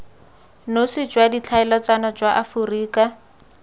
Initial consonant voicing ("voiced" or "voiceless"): voiced